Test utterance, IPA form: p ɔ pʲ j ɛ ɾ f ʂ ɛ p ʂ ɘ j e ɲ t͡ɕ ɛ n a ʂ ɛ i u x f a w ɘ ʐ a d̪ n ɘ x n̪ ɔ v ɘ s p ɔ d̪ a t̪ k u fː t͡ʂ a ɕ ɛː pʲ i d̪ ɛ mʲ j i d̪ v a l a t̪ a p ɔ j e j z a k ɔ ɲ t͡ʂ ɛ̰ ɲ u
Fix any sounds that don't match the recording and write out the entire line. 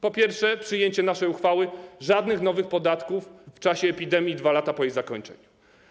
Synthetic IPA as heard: p ɔ pʲ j ɛ ɾ f ʂ ɛ p ʂ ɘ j e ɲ t͡ɕ ɛ n a ʂ ɛ j u x f a w ɘ ʐ a d̪ n ɘ x n̪ ɔ v ɘ x p ɔ d̪ a t̪ k u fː t͡ʂ a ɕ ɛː pʲ i d̪ ɛ mʲ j i d̪ v a l a t̪ a p ɔ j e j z a k ɔ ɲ t͡ʂ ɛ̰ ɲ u